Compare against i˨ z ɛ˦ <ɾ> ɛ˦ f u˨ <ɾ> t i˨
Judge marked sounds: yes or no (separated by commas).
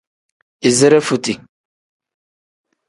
yes, no